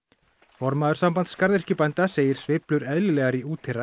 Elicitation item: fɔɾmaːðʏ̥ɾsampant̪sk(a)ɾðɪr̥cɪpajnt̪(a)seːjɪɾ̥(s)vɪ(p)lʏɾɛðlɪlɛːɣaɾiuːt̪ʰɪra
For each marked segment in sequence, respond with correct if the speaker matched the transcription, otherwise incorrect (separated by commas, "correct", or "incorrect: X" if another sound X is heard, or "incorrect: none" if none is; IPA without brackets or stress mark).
correct, correct, correct, correct